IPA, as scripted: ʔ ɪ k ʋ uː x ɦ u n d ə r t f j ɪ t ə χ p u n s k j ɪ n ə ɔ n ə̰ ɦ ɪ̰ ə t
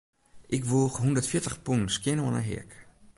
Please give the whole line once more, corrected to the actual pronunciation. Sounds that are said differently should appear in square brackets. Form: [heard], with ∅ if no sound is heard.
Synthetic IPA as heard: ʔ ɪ k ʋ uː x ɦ u n d ə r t f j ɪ t ə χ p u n s k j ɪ n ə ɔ n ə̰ ɦ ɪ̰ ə [k]